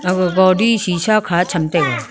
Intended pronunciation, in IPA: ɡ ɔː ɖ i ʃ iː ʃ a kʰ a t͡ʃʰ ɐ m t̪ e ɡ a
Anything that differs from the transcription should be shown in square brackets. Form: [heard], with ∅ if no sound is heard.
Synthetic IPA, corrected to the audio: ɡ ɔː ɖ i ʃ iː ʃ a kʰ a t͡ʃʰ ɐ m t̪ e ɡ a